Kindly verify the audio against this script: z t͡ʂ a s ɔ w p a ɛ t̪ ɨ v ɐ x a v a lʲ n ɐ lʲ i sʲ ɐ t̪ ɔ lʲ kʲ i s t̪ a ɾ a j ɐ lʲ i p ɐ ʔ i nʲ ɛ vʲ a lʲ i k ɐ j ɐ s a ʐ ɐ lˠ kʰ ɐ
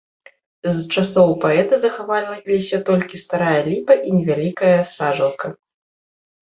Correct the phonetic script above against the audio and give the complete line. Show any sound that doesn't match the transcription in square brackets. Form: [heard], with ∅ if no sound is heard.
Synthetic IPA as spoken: z t͡ʂ a s ɔ w p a ɛ t̪ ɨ [z] ɐ x a v a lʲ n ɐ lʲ i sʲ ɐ t̪ ɔ lʲ kʲ i s t̪ a ɾ a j ɐ lʲ i p ɐ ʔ i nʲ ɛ vʲ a lʲ i k ɐ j ɐ s a ʐ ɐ lˠ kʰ ɐ